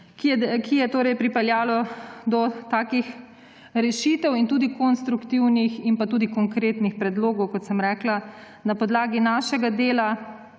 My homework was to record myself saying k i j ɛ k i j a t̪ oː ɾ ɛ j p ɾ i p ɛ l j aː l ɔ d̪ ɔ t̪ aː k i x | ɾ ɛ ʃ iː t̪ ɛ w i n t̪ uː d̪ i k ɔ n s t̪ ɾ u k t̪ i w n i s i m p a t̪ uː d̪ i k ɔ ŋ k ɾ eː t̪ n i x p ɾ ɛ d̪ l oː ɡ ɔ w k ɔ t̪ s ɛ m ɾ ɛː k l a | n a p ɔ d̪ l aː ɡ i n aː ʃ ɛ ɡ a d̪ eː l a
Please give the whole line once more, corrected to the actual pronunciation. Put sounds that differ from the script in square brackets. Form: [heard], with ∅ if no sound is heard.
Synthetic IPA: k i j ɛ k i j [ɛ] t̪ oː ɾ ɛ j p ɾ i p ɛ l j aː l ɔ d̪ ɔ t̪ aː k i x | ɾ ɛ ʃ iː t̪ ɛ w i n t̪ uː d̪ i k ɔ n s t̪ ɾ u k t̪ i w n i [x] i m p a t̪ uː d̪ i k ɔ ŋ k ɾ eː t̪ n i x p ɾ ɛ d̪ l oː ɡ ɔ w k ɔ t̪ s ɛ m ɾ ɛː k l a | n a p ɔ d̪ l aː ɡ i n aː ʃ ɛ ɡ a d̪ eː l a

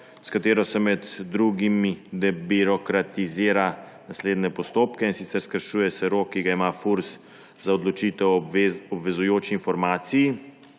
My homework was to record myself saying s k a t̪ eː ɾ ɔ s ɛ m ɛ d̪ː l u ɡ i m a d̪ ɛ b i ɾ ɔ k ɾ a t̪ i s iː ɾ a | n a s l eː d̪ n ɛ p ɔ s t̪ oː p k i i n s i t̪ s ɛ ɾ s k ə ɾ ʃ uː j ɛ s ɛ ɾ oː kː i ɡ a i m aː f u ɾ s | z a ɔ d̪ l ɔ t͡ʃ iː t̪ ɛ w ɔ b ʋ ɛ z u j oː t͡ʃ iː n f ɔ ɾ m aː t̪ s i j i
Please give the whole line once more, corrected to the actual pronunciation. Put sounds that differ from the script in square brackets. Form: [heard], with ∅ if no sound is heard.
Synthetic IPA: s k a t̪ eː ɾ ɔ s ɛ m ɛ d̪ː [ɾ] u ɡ i m [i] d̪ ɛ b i ɾ ɔ k ɾ a t̪ i [z] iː ɾ a | n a s l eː d̪ n ɛ p ɔ s t̪ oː p k [ɛ] i n s i t̪ s ɛ ɾ s k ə ɾ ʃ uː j ɛ s ɛ ɾ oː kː i ɡ a i m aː f u ɾ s | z a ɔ d̪ l ɔ t͡ʃ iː t̪ ɛ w ɔ b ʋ ɛ z u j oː t͡ʃ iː n f ɔ ɾ m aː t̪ s i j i

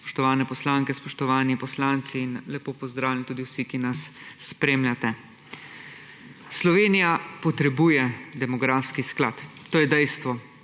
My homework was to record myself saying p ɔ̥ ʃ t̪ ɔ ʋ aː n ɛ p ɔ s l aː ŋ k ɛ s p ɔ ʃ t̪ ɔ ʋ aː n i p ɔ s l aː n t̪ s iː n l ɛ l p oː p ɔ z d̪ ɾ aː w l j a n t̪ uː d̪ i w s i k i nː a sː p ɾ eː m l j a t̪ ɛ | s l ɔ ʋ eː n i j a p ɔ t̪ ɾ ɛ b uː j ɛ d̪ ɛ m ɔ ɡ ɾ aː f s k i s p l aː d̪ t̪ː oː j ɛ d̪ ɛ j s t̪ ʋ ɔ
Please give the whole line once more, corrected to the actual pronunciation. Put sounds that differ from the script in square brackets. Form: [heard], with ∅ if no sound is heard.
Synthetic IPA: p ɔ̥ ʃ t̪ ɔ ʋ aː n ɛ p ɔ s l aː ŋ k ɛ s p ɔ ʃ t̪ ɔ ʋ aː n i p ɔ s l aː n t̪ s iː n l ɛ [∅] p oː p ɔ z d̪ ɾ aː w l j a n t̪ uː d̪ i w s i k i [n] a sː p ɾ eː m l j a t̪ ɛ | s l ɔ ʋ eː n i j a p ɔ t̪ ɾ ɛ b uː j ɛ d̪ ɛ m ɔ ɡ ɾ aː f s k i s [k] l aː [t̪] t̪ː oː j ɛ d̪ ɛ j s t̪ ʋ ɔ

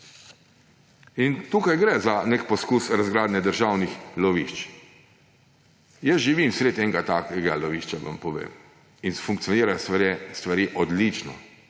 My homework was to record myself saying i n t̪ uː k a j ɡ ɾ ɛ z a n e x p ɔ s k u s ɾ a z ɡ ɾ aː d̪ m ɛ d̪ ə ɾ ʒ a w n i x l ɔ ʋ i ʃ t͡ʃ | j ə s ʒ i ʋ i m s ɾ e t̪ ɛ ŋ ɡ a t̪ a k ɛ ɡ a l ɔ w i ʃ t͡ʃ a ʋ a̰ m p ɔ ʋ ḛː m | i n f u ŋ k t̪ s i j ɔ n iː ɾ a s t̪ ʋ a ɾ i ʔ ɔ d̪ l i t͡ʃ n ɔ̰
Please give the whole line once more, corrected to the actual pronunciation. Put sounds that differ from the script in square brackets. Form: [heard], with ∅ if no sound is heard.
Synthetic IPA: i n t̪ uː k a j ɡ ɾ ɛ z a n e [k] p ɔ s k u s ɾ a z ɡ ɾ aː d̪ [n] ɛ d̪ ə ɾ ʒ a w n i x l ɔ ʋ i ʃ t͡ʃ | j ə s ʒ i ʋ i m s ɾ e t̪ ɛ ŋ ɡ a t̪ a k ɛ ɡ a l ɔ [ʋ] i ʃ t͡ʃ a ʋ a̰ m p ɔ ʋ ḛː m | i n f u ŋ k t̪ s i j ɔ n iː ɾ a s t̪ ʋ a ɾ i ʔ ɔ d̪ l i t͡ʃ n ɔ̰

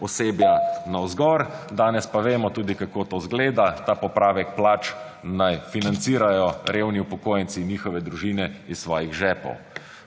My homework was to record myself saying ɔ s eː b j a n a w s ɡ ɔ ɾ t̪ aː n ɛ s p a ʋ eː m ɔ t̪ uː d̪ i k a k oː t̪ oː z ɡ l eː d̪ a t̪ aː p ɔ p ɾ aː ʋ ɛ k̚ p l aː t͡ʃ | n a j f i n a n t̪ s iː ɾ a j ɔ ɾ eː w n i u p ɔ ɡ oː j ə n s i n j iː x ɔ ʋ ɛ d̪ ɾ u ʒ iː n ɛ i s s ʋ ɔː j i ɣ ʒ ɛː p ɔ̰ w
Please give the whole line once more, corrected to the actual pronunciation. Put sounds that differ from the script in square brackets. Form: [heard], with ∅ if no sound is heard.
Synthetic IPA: ɔ s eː b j a n a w [z] ɡ ɔ ɾ [d̪] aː n ɛ s p a ʋ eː m ɔ t̪ uː d̪ i k a k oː t̪ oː z ɡ l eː d̪ a t̪ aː p ɔ p ɾ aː ʋ ɛ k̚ p l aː t͡ʃ | n a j f i n a n t̪ s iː ɾ a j ɔ ɾ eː w n i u p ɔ [k] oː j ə n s i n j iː x ɔ ʋ ɛ d̪ ɾ u ʒ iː n ɛ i s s ʋ ɔː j i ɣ ʒ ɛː p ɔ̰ w

